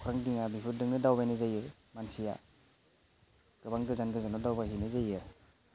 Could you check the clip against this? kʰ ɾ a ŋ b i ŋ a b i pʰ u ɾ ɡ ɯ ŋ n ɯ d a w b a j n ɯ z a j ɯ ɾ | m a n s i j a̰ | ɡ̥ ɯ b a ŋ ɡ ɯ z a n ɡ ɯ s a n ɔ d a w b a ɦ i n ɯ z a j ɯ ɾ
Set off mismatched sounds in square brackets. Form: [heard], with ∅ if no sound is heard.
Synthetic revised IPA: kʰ ɾ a ŋ [d] i ŋ a b i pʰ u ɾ [d] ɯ ŋ n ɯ d a w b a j n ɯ z a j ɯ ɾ | m a n s i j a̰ | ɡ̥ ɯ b a ŋ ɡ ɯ z a n ɡ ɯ [z] a n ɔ d a w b a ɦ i n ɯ z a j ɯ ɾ

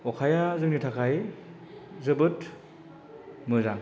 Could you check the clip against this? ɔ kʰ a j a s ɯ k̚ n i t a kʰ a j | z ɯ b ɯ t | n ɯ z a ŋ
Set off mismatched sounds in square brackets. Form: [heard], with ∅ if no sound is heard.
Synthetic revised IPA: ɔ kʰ a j a [z] ɯ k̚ n i [tʰ] a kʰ a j | z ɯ b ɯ t | [m] ɯ z a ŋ

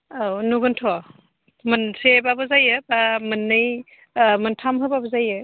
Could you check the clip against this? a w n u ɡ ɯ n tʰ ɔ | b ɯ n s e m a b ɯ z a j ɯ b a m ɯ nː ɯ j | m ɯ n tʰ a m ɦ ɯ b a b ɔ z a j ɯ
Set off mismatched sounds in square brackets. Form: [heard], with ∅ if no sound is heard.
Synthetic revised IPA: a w n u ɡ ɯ n tʰ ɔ | [m] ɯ n s e [b] a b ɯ z a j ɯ b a m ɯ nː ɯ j | m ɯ n tʰ a m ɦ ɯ b a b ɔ z a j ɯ

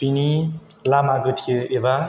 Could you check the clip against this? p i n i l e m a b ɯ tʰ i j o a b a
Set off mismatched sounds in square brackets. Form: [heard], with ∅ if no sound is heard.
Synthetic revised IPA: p i n i l [a] m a [ɡ] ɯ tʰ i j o [e] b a

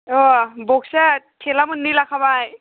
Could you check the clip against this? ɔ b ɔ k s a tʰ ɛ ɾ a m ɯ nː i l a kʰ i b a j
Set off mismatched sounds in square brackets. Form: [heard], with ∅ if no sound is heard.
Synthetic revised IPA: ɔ b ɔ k s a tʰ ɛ [l] a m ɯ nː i l a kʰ [a] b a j

